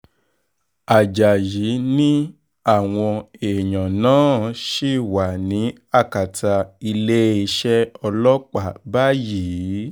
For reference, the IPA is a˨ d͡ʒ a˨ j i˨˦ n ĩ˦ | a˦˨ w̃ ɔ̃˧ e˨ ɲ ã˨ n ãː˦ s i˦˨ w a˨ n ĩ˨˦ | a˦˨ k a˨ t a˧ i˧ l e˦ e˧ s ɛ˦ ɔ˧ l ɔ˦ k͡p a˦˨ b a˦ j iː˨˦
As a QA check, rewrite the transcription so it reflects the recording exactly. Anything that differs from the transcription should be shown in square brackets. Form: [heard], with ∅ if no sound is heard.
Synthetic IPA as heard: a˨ d͡ʒ a˨ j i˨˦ n ĩ˦ | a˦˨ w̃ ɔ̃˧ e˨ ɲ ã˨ n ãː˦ [ʃ] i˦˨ w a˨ n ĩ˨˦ | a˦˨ k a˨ t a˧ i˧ l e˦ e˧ [ʃ] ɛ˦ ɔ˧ l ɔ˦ k͡p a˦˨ b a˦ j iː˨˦